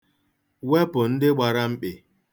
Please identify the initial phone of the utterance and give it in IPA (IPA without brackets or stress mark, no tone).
w